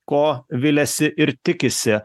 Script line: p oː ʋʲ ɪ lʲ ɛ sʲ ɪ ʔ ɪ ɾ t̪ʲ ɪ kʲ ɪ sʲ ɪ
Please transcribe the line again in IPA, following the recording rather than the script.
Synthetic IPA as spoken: k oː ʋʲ ɪ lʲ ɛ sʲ ɪ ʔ ɪ ɾ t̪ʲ ɪ kʲ ɪ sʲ ɪ